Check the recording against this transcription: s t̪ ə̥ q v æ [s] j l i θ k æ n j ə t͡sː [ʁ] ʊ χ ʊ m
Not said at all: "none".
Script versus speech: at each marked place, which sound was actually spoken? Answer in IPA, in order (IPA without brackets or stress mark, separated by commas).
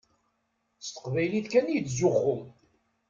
none, z